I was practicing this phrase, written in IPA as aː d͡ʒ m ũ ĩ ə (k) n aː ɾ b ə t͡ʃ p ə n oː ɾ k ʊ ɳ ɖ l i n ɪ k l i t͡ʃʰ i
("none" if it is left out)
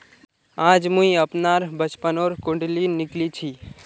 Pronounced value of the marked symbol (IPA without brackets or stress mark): p